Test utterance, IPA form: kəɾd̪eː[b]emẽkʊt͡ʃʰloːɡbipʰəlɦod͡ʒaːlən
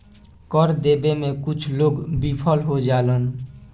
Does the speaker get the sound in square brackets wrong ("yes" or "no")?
no